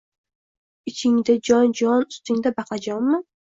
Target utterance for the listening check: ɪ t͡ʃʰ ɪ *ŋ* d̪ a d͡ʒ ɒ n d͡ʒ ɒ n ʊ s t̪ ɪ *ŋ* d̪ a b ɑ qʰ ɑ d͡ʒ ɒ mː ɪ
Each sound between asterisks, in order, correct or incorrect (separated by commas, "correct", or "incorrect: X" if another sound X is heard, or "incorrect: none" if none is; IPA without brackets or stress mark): correct, correct